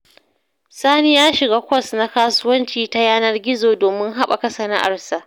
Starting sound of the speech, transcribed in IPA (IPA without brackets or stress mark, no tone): s